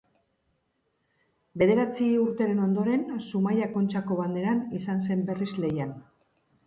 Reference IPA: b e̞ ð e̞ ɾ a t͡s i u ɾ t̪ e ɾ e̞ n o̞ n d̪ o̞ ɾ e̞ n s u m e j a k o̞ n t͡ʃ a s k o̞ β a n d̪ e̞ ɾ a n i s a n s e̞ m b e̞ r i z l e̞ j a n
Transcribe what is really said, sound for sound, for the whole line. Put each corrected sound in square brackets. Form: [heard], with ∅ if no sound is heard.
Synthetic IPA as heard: b e̞ ð e̞ ɾ a t͡s i u ɾ t̪ e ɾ e̞ n o̞ n d̪ o̞ ɾ e̞ n s u m [a] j a k o̞ n t͡ʃ a [∅] k o̞ β a n d̪ e̞ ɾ a n i s a n s e̞ m b e̞ r i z l e̞ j a n